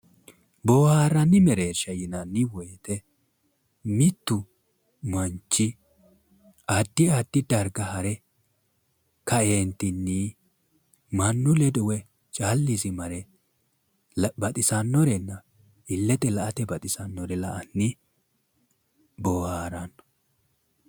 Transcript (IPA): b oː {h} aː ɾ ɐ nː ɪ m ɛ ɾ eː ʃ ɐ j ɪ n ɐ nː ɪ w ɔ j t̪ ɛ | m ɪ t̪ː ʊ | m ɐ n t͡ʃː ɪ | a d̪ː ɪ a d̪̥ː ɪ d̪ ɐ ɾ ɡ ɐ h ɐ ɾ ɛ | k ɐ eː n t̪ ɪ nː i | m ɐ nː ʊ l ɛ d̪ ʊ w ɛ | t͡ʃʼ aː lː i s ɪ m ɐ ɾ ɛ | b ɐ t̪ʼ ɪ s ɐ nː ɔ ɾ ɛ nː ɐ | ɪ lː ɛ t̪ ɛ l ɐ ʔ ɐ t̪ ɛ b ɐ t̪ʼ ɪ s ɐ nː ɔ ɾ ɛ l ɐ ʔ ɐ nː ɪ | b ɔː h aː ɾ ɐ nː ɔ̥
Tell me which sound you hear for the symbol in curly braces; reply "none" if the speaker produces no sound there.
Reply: h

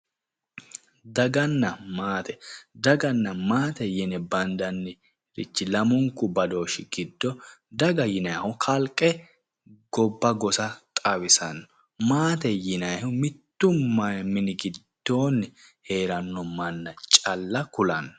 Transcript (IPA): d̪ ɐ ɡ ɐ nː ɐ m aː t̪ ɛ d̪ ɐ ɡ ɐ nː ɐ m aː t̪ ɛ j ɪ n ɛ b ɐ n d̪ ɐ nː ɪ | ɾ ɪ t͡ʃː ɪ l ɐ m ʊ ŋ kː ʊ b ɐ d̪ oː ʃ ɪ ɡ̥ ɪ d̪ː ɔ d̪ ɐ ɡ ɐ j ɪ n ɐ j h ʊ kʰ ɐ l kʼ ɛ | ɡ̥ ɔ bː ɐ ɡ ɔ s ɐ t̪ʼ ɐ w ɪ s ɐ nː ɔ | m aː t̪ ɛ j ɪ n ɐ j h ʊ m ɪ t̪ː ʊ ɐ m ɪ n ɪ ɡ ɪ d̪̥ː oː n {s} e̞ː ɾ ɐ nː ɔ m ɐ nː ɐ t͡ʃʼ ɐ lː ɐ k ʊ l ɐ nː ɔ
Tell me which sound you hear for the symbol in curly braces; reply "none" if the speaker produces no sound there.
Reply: h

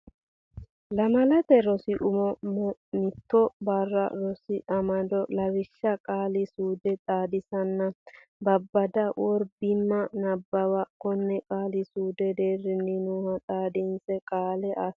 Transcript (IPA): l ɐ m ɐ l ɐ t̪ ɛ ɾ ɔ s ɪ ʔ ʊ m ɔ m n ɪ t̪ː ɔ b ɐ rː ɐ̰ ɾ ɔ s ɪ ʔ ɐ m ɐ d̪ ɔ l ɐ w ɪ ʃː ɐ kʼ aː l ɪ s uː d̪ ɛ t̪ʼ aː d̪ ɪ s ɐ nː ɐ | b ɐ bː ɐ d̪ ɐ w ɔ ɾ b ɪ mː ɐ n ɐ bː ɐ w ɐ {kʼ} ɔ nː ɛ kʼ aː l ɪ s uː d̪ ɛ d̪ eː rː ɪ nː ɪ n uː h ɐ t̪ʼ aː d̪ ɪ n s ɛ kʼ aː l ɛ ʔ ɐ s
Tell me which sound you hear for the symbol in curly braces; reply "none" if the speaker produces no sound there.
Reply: k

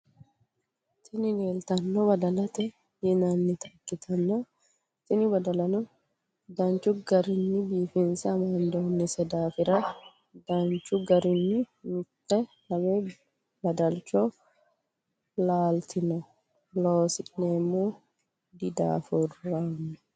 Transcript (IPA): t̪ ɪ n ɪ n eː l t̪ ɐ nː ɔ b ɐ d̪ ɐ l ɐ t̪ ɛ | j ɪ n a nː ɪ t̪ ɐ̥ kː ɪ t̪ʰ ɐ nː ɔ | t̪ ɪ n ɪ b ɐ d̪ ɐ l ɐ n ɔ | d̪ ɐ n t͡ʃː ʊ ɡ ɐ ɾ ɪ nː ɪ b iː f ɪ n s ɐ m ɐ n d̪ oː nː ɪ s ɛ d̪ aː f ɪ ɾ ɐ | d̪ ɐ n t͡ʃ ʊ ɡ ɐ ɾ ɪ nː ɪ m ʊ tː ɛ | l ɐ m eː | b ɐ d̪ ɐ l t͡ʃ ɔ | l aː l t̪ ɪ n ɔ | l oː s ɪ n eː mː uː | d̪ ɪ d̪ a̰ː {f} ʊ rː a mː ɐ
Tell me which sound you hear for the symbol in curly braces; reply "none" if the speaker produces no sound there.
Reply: f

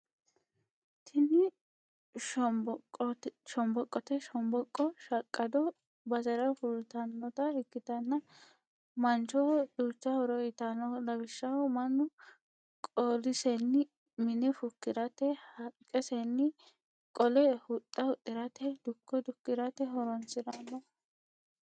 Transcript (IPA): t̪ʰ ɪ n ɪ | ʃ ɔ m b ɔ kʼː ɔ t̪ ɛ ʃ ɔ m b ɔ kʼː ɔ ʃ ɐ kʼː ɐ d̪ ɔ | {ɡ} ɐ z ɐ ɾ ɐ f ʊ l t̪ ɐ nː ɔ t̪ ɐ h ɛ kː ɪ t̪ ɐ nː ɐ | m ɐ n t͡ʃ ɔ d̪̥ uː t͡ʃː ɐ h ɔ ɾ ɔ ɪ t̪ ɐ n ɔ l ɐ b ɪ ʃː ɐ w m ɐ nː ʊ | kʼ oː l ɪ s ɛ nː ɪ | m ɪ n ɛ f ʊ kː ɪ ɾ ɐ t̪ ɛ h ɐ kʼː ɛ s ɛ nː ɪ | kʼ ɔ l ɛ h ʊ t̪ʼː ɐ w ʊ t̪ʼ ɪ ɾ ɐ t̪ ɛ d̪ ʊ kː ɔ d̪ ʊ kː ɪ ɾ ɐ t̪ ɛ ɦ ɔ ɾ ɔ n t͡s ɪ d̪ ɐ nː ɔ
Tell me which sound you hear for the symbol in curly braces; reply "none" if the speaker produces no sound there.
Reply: b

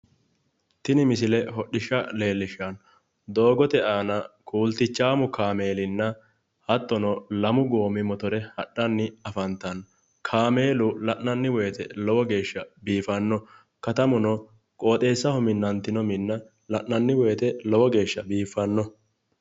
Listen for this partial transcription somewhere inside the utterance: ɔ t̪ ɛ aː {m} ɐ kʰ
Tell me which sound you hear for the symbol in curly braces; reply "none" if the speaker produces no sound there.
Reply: n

